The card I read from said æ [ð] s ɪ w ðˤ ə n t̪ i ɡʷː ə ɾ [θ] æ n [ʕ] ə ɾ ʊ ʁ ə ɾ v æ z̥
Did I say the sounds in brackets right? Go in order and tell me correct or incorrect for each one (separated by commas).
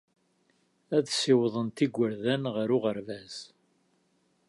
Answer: correct, incorrect, incorrect